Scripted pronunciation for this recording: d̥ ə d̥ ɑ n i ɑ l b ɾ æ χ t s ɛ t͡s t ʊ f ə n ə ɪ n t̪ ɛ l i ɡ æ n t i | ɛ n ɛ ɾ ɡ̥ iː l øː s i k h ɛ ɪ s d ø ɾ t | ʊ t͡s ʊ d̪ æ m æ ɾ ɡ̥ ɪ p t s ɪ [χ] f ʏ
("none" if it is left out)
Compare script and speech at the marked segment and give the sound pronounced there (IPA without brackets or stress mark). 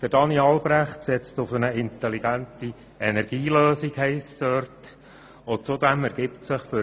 χ